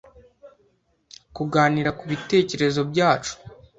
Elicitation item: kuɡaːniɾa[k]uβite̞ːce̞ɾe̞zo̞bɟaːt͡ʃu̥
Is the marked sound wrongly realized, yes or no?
no